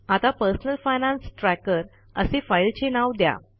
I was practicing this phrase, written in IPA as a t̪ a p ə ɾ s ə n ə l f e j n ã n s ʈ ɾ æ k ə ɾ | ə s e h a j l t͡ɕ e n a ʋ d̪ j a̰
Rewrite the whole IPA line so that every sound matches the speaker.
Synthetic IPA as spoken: a t̪ a p ə ɾ s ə n ə l f a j n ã n s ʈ ɾ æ k ə ɾ | ə s e f a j l t͡ɕ e n a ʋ d̪ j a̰